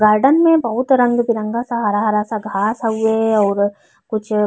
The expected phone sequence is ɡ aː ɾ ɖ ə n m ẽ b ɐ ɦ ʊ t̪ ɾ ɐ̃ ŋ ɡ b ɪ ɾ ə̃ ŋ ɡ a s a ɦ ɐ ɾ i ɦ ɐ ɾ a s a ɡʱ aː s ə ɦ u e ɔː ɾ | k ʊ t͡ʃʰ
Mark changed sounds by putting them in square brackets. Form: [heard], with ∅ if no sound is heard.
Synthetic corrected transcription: ɡ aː ɾ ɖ ə n m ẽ b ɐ ɦ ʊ t̪ ɾ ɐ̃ ŋ ɡ b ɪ ɾ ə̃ ŋ ɡ a s a ɦ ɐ ɾ [a] ɦ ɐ ɾ a s a ɡʱ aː s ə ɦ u e ɔː ɾ | k ʊ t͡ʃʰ